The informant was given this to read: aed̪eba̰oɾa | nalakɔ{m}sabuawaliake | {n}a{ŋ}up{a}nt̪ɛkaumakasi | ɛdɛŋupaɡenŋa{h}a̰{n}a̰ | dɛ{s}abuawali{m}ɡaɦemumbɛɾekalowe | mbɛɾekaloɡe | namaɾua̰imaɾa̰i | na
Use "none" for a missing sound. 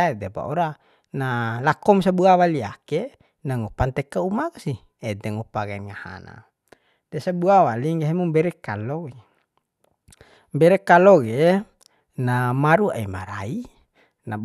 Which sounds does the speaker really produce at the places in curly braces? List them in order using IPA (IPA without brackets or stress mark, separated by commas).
m, n, ŋ, a, h, n, s, ŋ